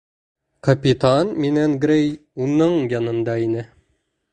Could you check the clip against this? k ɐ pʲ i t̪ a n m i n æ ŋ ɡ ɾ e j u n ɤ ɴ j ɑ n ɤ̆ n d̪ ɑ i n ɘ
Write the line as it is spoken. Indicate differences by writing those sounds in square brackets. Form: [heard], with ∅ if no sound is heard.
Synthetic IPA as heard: k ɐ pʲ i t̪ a n m i n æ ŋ ɡ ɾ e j u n ɤ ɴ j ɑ n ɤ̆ n d̪ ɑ i n ɘ